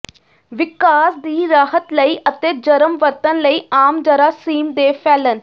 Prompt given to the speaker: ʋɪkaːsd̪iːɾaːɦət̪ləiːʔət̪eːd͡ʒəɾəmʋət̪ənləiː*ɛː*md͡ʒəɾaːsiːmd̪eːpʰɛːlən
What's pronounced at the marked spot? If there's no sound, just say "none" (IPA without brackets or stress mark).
aː